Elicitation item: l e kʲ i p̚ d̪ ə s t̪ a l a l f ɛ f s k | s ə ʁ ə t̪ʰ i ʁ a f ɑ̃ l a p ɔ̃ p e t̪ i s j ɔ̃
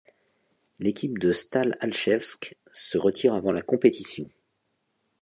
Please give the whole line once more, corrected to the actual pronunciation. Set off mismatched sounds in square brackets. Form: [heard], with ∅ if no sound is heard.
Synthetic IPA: l e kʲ i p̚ d̪ ə s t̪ a l a l [ʃ] ɛ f s k | s ə ʁ ə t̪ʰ i ʁ a [v] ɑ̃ l a [k] ɔ̃ p e t̪ i s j ɔ̃